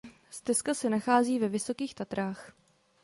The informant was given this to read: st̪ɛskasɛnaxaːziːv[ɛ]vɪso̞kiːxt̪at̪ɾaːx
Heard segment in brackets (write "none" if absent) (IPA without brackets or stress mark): ɛ